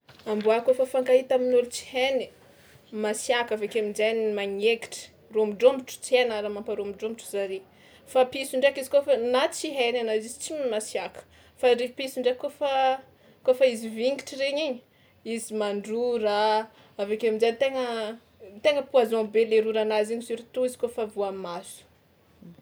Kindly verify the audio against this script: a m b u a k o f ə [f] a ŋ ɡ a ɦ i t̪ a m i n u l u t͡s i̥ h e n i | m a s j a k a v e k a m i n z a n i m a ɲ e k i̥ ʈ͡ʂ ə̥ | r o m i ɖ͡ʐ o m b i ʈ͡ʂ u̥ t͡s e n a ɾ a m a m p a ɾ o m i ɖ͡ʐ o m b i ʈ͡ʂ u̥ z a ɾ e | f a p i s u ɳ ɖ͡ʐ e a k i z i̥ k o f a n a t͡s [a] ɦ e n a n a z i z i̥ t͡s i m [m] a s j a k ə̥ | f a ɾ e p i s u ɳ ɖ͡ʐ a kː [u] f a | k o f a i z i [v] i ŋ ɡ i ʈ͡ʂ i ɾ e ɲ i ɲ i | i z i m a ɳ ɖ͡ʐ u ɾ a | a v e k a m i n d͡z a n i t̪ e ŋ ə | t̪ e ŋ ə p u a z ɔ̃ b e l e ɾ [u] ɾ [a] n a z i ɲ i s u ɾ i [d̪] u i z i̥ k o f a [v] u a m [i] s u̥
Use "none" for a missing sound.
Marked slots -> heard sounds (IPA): f, i, m, o, v, u, a, t̪, v, a

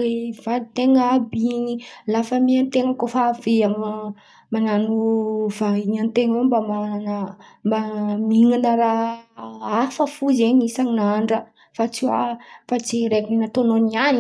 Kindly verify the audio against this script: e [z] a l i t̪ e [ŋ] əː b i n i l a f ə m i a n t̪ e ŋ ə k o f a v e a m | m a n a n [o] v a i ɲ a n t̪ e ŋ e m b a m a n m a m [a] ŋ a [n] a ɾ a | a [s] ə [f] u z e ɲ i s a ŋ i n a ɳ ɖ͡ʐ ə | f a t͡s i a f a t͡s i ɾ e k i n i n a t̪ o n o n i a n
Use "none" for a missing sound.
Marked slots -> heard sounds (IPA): v, ŋ, u, i, n, f, f

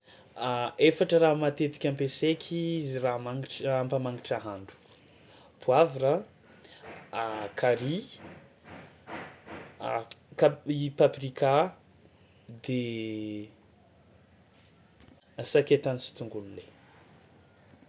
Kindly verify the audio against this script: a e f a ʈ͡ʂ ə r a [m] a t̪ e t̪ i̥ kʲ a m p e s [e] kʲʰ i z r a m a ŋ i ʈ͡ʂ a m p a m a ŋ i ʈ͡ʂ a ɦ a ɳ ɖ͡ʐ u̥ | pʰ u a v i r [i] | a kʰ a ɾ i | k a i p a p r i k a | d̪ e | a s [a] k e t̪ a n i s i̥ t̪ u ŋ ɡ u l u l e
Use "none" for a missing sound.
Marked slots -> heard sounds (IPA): m, e, a, a

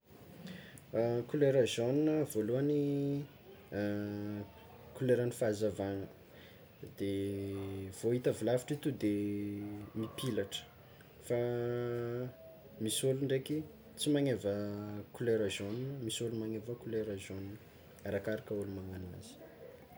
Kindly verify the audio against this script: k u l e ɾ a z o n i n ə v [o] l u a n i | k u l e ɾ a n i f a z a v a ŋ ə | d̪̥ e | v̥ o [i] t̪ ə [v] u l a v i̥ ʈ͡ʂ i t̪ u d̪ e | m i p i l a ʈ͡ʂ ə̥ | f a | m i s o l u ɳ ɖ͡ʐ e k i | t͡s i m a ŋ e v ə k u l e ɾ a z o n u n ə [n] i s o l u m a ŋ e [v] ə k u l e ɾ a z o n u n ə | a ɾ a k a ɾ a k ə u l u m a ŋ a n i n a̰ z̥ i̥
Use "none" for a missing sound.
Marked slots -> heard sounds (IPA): o, i, v, m, v

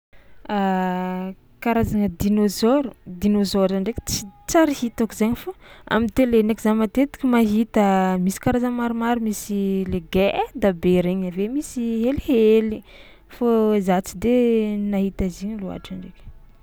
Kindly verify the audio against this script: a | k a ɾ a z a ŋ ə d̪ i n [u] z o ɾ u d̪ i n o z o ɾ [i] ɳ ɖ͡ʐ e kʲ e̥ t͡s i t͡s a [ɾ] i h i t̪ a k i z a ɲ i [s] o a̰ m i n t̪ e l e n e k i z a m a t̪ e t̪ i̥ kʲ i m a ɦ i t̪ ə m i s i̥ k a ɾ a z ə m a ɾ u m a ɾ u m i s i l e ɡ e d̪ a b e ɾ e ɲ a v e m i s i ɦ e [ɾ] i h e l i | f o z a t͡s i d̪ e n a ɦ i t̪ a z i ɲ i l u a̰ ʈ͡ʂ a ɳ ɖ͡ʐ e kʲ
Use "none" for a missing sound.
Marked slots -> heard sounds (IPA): o, a, ɾ, f, l

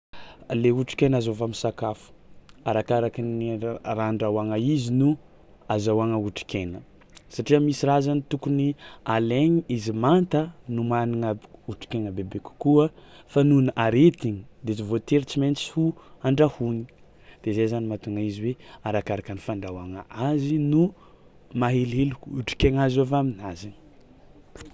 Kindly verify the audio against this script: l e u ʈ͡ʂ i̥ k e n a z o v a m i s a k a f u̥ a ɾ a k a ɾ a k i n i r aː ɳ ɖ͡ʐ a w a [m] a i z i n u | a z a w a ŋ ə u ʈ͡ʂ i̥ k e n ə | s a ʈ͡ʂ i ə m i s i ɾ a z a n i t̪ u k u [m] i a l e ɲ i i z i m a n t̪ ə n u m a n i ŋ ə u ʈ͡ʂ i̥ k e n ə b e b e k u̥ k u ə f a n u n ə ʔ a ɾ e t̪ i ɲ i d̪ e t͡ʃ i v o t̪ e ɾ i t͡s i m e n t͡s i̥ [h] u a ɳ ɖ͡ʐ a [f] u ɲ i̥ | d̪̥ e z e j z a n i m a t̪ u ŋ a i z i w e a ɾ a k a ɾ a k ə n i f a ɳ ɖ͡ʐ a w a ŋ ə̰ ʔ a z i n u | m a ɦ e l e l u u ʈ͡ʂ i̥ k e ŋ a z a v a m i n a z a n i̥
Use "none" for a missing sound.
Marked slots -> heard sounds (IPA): ŋ, n, h, h

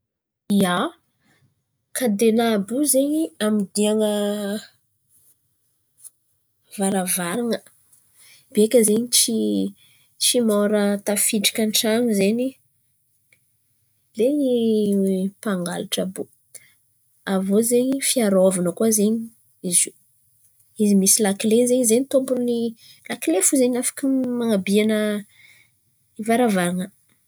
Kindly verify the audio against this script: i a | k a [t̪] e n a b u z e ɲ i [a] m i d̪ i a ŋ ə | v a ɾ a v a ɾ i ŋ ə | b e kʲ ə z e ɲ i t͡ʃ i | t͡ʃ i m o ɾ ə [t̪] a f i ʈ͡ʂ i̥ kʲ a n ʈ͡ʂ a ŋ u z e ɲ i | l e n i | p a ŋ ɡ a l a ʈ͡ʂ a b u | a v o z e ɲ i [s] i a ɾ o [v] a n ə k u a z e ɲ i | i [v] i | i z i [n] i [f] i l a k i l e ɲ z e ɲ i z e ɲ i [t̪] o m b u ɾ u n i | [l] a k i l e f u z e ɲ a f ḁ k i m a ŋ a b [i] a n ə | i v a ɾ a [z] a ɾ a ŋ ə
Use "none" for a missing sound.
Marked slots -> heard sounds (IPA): d̪, a, t̪, f, v, z, m, s, t̪, l, i, v

